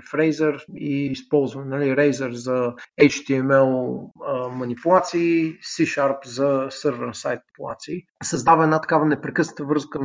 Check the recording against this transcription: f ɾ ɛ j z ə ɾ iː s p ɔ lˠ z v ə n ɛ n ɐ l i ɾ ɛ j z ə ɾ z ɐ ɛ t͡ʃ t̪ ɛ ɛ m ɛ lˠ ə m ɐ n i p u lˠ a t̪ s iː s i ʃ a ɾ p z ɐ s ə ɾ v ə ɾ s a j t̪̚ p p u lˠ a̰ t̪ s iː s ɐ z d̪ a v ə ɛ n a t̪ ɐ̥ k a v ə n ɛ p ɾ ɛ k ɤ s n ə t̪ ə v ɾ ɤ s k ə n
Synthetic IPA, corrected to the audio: f ɾ ɛ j z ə ɾ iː s p ɔ lˠ z v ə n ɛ n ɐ l i ɾ ɛ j z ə ɾ z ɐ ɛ t͡ʃ t̪ i ɛ m ɛ lˠ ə m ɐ n i p u lˠ a t̪ s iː s i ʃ a ɾ p z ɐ s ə ɾ v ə ɾ s a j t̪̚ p p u lˠ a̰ t̪ s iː s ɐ z d̪ a v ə ɛ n a t̪ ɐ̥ k a v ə n ɛ p ɾ ɛ k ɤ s n ə t̪ ə v ɾ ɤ s k ə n